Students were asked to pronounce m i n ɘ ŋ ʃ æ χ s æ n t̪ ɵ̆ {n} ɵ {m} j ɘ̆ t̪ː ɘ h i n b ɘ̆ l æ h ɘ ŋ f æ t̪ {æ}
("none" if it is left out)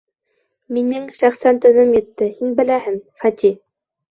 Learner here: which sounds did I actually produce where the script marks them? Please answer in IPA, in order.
n, m, i

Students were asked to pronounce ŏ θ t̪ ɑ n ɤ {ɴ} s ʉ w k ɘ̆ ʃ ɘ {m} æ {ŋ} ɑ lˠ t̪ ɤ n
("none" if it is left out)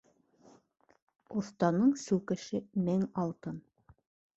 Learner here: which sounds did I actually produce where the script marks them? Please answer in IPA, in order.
ɴ, m, ŋ

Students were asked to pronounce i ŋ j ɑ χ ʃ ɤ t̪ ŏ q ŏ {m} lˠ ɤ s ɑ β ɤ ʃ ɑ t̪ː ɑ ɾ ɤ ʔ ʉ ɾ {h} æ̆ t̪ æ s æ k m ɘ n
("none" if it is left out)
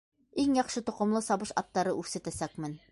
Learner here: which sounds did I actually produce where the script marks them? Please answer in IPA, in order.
m, s

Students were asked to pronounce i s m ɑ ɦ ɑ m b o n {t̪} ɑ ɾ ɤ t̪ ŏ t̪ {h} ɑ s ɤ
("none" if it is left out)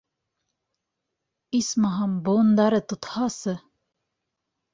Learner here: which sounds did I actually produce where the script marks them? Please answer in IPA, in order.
d̪, h

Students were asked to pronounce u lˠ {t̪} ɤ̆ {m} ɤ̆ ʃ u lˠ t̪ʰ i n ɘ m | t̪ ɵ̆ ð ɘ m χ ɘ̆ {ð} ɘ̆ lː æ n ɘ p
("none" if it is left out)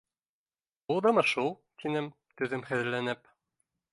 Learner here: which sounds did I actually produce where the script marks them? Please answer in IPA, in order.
d̪, m, ð

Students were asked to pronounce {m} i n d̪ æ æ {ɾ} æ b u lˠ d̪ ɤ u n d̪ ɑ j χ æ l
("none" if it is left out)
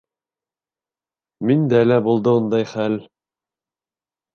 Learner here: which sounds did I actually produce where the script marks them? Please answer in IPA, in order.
m, l

